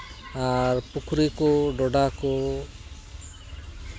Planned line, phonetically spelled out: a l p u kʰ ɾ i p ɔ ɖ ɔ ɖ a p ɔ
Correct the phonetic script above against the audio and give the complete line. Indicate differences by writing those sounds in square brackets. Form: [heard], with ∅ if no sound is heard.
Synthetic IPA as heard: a [ɾ] p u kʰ ɾ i [k] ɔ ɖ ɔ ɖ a [k] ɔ